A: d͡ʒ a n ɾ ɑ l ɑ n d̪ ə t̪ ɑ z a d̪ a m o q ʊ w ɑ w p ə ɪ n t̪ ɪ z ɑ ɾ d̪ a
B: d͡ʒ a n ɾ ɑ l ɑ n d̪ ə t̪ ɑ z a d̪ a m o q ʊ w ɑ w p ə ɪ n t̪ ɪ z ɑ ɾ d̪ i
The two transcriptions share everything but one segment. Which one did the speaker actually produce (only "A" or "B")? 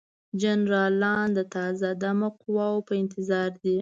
B